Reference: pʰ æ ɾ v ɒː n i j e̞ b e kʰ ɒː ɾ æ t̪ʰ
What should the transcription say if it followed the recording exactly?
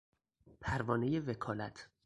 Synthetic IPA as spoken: pʰ æ ɾ v ɒː n e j e̞ v e kʰ ɒː l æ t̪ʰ